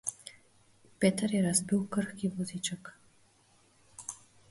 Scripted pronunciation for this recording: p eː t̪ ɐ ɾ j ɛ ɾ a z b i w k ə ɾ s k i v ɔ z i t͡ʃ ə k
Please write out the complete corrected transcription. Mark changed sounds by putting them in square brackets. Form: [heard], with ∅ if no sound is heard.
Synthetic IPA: p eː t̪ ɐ ɾ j ɛ ɾ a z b i w k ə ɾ [x] k i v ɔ z i t͡ʃ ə k